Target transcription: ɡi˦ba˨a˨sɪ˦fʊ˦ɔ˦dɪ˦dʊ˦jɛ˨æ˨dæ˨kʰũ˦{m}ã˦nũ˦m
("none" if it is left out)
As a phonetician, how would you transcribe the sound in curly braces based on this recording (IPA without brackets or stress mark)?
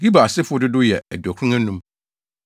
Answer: ŋ